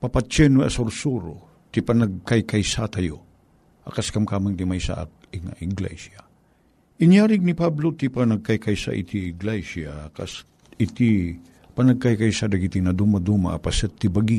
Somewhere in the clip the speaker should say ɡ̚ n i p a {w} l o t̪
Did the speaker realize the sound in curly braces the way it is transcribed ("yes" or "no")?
no